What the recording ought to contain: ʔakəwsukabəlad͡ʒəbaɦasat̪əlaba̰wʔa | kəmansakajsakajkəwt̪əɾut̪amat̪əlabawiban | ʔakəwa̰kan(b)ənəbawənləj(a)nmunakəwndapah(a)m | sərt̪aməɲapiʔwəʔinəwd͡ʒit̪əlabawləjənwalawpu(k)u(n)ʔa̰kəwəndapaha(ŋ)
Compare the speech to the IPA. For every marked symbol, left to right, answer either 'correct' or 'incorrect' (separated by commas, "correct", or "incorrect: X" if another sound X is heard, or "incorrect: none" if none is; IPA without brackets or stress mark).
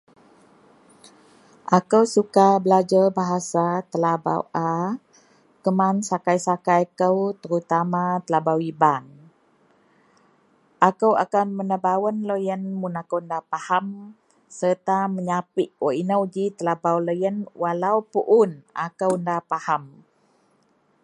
incorrect: m, incorrect: ə, correct, incorrect: ʔ, correct, incorrect: m